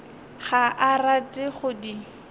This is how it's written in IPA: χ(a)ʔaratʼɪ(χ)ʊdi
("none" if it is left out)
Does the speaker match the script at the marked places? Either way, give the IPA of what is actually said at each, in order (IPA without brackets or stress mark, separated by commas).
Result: a, χ